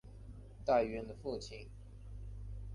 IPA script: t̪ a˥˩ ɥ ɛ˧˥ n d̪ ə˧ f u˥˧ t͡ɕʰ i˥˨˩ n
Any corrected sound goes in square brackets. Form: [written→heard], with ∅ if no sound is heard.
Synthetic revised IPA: t̪ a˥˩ ɥ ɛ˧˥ n d̪ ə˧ f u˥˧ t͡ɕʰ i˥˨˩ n